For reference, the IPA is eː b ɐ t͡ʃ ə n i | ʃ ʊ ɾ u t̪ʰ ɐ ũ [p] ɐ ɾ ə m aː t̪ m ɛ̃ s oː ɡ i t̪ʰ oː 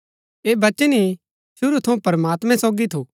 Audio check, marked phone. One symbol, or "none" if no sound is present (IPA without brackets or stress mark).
p